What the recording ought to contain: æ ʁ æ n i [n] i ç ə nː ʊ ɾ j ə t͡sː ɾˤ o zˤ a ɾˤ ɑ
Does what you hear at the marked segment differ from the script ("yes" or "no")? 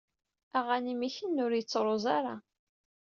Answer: yes